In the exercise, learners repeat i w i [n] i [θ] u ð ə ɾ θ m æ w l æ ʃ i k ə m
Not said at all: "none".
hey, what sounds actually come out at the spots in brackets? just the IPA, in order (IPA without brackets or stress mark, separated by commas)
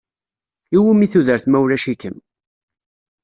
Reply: m, θ